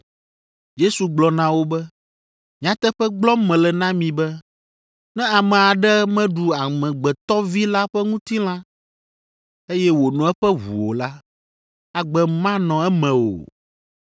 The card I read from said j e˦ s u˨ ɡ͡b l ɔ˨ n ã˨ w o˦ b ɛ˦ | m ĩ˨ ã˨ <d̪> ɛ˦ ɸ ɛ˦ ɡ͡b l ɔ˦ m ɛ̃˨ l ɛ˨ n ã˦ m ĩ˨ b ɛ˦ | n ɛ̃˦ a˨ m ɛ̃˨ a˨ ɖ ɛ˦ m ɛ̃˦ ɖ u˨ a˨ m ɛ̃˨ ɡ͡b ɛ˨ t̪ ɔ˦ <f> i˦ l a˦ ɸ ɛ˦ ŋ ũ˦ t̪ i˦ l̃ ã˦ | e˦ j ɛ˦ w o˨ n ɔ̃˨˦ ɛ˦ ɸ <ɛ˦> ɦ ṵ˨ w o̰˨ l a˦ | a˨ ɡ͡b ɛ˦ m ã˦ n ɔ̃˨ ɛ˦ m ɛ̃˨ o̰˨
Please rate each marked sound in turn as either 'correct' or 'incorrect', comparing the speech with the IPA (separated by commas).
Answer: incorrect, incorrect, correct